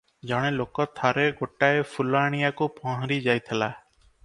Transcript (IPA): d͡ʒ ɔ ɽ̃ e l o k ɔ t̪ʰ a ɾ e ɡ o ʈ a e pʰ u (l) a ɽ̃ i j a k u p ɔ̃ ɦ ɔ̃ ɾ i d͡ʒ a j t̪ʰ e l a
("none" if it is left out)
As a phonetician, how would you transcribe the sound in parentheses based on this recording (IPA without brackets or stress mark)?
l